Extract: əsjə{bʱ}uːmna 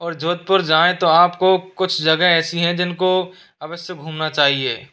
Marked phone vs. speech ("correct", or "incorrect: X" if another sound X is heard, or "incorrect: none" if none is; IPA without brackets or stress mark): incorrect: ɡʱ